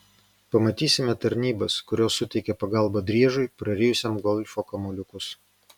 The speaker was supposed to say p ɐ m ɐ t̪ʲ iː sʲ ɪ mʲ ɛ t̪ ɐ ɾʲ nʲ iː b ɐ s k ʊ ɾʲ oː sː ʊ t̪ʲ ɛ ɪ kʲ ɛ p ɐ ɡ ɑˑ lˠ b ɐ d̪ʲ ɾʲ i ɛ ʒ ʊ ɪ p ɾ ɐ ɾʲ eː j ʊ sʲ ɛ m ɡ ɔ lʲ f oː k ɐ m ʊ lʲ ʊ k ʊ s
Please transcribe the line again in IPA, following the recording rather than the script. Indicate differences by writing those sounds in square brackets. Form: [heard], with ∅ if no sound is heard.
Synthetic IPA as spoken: p ɐ m ɐ t̪ʲ iː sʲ ɪ mʲ ɛ t̪ ɐ ɾʲ nʲ iː b ɐ s k ʊ ɾʲ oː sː ʊ t̪ʲ ɛ ɪ kʲ ɛ p ɐ ɡ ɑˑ lˠ b ɐ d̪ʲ ɾʲ i ɛ ʒ ʊ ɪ p ɾ ɐ ɾʲ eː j ʊ sʲ ɛ m ɡ ɔ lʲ f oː k ɐ m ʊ lʲ ʊ k ʊ s